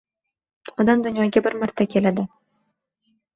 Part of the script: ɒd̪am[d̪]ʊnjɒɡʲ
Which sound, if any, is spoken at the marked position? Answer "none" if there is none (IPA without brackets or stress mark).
d̪